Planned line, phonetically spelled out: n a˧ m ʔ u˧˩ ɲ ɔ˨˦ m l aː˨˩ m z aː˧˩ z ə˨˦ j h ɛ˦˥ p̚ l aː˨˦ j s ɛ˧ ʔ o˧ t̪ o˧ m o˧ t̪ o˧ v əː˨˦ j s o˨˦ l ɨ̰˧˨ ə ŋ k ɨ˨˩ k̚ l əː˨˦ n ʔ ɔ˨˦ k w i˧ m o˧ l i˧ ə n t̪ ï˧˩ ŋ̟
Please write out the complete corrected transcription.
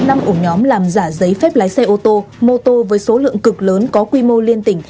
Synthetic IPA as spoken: n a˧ m ʔ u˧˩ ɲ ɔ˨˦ m l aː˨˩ m z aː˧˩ z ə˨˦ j f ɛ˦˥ p̚ l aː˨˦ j s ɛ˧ ʔ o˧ t̪ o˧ m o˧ t̪ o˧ v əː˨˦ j s o˨˦ l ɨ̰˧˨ ə ŋ k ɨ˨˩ k̚ l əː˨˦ n k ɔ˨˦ k w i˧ m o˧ l i˧ ə n t̪ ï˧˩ ŋ̟